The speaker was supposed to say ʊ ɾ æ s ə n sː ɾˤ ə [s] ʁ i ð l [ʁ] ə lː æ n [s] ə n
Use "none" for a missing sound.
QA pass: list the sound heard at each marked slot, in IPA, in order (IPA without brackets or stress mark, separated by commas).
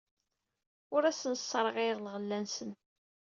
none, ʁ, s